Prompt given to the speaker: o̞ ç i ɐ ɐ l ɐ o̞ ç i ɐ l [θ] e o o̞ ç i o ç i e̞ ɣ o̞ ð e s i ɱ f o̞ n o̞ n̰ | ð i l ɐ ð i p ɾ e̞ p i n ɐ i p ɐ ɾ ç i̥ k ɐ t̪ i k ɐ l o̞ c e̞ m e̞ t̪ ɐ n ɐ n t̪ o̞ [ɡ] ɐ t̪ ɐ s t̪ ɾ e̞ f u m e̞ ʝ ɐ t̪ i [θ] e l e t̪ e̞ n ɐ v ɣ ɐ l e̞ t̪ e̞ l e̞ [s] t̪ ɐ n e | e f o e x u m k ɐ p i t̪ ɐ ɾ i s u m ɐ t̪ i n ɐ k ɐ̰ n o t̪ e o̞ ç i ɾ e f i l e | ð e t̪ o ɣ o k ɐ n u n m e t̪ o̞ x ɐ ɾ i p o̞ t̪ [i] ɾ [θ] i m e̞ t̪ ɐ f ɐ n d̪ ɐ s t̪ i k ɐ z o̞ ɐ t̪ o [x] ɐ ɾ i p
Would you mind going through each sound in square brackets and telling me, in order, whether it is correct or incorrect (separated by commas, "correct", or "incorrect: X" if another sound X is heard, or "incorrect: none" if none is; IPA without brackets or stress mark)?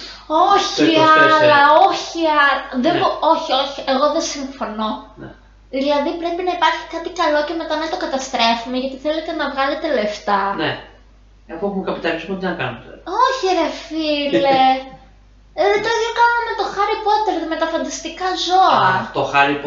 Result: incorrect: ð, incorrect: k, correct, incorrect: f, incorrect: e, incorrect: ð, correct